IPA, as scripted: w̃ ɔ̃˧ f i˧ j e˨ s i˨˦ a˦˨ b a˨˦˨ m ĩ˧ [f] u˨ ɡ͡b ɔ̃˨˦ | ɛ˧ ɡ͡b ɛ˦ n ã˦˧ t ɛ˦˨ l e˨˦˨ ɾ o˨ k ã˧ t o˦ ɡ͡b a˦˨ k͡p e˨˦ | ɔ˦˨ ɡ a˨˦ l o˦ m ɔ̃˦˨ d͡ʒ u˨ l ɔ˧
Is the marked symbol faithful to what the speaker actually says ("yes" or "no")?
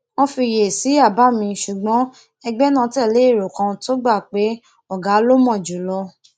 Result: no